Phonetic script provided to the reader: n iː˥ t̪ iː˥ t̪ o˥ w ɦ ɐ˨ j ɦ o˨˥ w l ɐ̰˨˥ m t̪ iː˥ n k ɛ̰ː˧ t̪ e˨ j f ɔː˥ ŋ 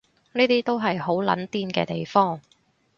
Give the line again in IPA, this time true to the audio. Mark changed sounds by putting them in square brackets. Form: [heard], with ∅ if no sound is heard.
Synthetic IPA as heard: n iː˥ t̪ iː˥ t̪ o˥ w ɦ ɐ˨ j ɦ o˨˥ w l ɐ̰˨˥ [n] t̪ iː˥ n k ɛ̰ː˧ t̪ e˨ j f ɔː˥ ŋ